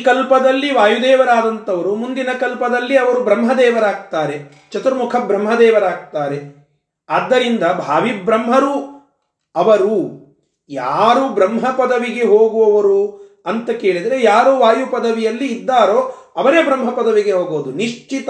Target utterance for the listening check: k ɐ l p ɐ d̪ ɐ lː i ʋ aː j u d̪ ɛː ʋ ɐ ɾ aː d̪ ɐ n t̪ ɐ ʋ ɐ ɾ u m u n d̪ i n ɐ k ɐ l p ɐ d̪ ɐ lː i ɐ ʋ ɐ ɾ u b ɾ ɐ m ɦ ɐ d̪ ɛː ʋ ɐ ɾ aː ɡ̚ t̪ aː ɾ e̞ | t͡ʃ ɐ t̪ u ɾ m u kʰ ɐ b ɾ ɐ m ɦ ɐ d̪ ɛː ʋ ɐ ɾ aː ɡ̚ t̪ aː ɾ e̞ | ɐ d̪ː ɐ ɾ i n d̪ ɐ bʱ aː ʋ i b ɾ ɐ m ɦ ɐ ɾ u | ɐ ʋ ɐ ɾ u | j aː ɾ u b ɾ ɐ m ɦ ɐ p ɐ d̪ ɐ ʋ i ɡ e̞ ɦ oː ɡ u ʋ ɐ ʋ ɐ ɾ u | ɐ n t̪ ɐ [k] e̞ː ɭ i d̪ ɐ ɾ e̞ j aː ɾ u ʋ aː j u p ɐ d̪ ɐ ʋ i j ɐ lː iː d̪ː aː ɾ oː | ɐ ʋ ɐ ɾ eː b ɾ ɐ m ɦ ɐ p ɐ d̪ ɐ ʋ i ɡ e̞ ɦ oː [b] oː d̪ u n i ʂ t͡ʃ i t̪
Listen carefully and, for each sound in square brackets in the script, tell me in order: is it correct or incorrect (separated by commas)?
correct, incorrect